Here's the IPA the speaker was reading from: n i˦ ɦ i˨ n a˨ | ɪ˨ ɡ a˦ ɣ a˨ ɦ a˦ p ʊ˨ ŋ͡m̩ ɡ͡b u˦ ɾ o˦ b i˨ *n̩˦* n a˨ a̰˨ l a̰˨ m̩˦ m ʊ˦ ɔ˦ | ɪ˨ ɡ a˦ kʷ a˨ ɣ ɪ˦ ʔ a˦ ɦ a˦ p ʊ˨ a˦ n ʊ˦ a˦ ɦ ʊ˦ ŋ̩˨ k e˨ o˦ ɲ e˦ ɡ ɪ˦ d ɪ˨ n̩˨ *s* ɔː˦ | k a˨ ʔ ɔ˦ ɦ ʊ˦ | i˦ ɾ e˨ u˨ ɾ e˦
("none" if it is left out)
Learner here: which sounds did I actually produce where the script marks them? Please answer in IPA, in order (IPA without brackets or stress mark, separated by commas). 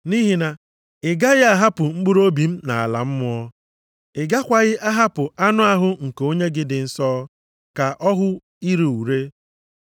m̩˦, s